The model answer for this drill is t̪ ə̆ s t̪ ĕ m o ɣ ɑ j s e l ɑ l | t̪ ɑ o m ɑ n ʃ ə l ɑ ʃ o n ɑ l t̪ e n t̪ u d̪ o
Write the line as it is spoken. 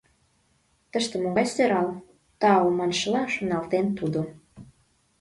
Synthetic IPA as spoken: t̪ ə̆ ʃ t̪ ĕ m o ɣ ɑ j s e ɾ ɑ l | t̪ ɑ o m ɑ n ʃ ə l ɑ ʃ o n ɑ l t̪ e n t̪ u d̪ o